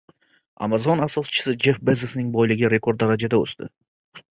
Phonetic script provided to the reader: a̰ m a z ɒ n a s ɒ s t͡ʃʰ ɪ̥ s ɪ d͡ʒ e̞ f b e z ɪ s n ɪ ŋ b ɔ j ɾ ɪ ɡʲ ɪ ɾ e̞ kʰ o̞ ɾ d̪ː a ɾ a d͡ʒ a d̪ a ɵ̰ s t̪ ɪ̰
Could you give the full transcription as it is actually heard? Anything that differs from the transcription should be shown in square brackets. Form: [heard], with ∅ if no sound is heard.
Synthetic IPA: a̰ m a z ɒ n a s ɒ s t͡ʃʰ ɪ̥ s ɪ d͡ʒ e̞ f b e z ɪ s n ɪ ŋ b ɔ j [l] ɪ ɡʲ ɪ ɾ e̞ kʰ o̞ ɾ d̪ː a ɾ a d͡ʒ a d̪ a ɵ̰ s t̪ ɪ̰